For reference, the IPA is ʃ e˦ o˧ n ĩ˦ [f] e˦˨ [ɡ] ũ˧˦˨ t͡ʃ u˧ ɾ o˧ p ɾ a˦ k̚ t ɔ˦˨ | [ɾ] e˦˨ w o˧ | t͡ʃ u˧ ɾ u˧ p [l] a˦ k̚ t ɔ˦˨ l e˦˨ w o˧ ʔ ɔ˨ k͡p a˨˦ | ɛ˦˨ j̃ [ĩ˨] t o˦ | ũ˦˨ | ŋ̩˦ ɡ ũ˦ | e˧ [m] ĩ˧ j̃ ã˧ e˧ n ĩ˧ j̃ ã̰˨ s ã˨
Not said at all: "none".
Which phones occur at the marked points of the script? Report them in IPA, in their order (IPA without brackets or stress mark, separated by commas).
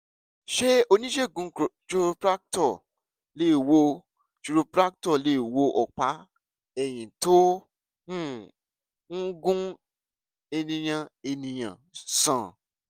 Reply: ʃ, ɡ, l, ɾ, ĩ˨, n